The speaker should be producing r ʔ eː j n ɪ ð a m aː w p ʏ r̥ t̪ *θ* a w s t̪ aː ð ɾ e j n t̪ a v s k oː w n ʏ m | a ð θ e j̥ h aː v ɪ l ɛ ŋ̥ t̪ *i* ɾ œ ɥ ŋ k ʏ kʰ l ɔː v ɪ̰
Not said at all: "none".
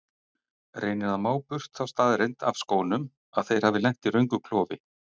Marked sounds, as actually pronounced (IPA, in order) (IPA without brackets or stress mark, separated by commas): θ, i